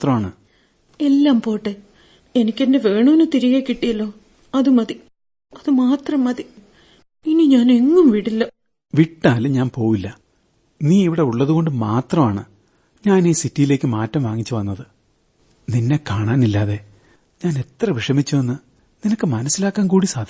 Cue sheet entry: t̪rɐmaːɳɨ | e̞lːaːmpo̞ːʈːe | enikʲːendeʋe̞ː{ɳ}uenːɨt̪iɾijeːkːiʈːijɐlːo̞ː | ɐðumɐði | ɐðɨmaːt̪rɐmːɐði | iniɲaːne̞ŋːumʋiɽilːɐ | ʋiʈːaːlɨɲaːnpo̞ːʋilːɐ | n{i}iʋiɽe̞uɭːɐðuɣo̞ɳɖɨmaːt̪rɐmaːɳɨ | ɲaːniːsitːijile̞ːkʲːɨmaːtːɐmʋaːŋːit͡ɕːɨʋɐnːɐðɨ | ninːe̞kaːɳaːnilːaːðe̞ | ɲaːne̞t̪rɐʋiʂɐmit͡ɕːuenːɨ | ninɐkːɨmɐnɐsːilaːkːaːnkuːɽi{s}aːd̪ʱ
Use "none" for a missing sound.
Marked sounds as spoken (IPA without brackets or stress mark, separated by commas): ɳ, iː, s